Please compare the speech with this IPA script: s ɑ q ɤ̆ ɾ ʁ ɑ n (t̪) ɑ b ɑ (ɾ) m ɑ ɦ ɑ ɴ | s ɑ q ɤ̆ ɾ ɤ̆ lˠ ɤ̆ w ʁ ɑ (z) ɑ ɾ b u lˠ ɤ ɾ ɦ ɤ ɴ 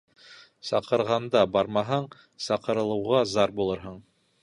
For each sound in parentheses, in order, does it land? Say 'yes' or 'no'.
no, yes, yes

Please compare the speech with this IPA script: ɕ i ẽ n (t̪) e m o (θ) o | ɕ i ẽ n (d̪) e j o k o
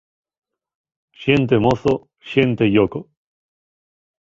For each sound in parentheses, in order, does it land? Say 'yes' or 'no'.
yes, no, no

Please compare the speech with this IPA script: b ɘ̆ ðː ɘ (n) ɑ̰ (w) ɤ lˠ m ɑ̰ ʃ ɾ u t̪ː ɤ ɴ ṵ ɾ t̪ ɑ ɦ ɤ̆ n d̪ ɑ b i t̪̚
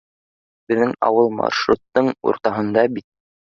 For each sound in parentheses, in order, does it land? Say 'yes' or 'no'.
no, yes

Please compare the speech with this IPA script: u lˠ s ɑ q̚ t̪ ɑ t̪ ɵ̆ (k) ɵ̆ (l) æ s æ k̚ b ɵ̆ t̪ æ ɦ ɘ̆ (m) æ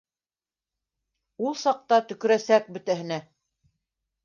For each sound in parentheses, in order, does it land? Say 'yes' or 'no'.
yes, no, no

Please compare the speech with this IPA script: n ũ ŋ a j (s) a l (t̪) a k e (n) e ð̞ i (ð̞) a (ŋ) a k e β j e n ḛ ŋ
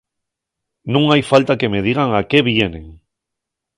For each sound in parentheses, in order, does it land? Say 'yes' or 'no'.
no, yes, no, no, yes

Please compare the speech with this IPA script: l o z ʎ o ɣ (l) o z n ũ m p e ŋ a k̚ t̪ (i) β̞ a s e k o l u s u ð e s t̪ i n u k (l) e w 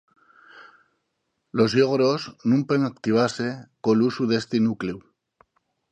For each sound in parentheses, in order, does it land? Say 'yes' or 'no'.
no, yes, yes

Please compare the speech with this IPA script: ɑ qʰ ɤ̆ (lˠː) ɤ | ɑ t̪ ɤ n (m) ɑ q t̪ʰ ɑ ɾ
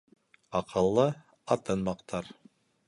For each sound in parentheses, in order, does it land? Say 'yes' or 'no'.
yes, yes

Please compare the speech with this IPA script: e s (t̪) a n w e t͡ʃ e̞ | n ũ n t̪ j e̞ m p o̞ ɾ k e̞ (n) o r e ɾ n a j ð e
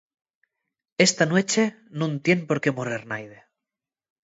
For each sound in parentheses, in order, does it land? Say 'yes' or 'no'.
yes, no

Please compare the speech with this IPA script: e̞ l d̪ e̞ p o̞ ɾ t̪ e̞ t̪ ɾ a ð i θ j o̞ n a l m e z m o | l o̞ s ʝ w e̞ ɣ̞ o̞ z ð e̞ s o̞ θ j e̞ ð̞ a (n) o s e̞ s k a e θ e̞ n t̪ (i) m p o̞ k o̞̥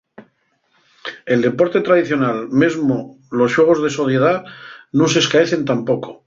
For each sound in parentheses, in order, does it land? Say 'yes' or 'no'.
yes, no

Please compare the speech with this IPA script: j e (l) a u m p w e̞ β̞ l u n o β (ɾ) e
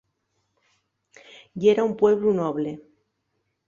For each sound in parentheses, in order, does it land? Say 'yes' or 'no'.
no, no

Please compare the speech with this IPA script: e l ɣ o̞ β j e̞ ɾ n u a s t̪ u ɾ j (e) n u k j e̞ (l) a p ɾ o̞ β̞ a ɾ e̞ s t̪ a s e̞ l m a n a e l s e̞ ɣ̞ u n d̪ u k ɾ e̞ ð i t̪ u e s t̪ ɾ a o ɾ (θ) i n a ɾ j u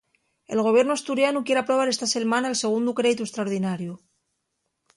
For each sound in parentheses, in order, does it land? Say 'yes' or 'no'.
no, no, no

